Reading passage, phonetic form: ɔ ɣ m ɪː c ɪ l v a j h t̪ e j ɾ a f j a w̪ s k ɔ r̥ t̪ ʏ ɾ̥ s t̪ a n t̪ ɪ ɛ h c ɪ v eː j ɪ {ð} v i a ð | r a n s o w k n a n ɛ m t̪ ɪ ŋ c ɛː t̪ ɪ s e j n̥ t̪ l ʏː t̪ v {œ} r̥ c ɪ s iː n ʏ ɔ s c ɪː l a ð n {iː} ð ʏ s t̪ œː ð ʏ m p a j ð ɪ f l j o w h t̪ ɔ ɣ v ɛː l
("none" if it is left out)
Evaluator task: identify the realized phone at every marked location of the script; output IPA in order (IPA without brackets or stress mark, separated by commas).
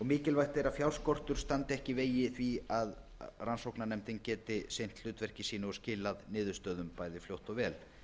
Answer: θ, ɛ, ɪː